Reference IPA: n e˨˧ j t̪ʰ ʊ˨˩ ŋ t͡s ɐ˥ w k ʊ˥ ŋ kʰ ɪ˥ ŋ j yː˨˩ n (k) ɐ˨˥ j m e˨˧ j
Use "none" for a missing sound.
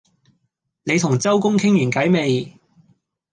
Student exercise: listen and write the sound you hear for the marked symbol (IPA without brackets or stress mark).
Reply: k